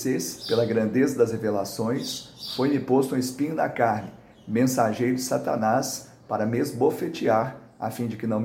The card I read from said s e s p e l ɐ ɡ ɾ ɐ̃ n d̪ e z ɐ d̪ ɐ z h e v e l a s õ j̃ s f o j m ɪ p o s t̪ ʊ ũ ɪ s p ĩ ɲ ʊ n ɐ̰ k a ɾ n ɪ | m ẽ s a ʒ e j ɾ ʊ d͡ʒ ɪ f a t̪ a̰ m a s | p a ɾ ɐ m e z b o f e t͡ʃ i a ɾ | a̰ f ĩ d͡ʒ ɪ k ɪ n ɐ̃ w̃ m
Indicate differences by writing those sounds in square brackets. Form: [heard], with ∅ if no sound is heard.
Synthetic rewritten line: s e s p e l ɐ ɡ ɾ ɐ̃ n d̪ e z ɐ d̪ ɐ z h e v e l a s õ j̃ s f o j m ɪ p o s t̪ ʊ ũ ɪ s p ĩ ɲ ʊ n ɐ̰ k a ɾ n ɪ | m ẽ s a ʒ e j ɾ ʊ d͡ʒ ɪ [s] a t̪ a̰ [n] a s | p a ɾ ɐ m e z b o f e t͡ʃ i a ɾ | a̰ f ĩ d͡ʒ ɪ k ɪ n ɐ̃ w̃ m